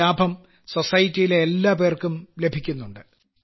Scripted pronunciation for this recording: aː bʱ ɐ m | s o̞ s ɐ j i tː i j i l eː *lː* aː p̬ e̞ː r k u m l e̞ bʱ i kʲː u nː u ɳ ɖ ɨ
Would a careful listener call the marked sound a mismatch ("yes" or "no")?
no